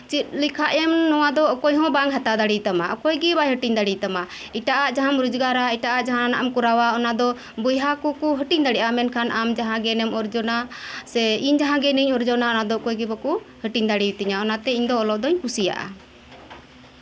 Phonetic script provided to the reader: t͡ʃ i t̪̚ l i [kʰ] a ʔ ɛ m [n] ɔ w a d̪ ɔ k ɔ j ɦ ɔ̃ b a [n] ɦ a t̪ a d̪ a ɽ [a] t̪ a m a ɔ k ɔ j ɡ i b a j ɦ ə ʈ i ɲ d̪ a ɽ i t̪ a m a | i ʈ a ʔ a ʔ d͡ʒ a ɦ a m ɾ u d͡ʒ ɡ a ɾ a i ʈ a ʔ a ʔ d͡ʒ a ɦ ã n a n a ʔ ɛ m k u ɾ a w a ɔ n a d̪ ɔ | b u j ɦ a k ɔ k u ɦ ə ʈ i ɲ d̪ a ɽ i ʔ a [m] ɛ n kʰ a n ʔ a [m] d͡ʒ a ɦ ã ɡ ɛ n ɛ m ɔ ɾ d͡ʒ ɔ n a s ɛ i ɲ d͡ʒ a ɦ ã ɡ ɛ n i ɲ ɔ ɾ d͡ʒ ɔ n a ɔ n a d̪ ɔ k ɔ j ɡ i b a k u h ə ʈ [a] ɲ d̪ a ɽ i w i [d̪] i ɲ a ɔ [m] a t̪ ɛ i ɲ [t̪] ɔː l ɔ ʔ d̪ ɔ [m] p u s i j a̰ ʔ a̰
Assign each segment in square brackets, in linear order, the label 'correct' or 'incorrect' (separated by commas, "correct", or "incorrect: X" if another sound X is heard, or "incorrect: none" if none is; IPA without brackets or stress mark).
correct, correct, incorrect: ŋ, incorrect: i, correct, correct, incorrect: i, incorrect: t̪, incorrect: n, incorrect: d̪, incorrect: ɲ